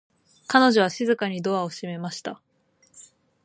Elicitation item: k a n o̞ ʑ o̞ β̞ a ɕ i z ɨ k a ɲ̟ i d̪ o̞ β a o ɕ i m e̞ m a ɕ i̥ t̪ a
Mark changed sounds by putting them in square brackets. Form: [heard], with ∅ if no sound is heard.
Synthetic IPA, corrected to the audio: k a n o̞ ʑ o̞ β̞ a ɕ i z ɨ k a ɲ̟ i d̪ o̞ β a o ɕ i m e̞ m a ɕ i̥ t̪ a